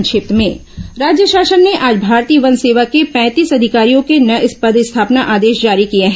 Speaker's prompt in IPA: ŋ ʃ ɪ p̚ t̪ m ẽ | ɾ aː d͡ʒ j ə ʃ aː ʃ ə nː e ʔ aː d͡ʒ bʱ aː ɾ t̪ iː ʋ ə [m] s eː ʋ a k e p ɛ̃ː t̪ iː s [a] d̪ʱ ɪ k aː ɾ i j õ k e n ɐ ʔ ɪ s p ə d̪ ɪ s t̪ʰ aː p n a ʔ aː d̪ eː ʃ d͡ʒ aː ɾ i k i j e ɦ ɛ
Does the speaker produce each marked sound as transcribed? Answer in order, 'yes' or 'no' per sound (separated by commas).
no, no